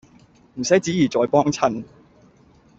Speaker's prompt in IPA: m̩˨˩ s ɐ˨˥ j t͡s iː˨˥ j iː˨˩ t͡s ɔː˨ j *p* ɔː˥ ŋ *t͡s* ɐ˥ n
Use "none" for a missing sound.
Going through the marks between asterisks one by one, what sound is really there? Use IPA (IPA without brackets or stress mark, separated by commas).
p, t͡sʰ